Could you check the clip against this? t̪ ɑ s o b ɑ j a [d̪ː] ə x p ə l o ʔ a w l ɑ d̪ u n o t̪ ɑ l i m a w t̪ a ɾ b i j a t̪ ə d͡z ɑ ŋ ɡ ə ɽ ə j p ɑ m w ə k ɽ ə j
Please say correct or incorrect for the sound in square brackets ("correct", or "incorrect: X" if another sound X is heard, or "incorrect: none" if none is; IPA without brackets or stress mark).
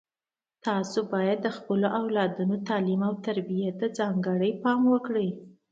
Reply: correct